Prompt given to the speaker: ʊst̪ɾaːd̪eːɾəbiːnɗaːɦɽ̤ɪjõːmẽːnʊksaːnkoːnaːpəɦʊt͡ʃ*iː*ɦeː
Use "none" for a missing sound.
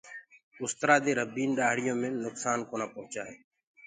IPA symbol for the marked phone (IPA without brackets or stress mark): aː